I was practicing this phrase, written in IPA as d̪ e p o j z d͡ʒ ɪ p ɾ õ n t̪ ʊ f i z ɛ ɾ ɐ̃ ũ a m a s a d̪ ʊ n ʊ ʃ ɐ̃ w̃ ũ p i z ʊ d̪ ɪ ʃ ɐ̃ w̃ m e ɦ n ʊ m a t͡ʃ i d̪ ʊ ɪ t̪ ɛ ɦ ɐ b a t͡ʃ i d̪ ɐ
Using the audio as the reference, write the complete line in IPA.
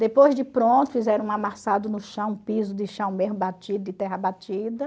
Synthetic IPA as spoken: d̪ e p o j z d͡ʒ ɪ p ɾ õ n t̪ ʊ f i z ɛ ɾ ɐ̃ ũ a m a s a d̪ ʊ n ʊ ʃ ɐ̃ w̃ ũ p i z ʊ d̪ ɪ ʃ ɐ̃ w̃ m e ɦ m ʊ b a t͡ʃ i d̪ ʊ ɪ t̪ ɛ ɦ ɐ b a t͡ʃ i d̪ ɐ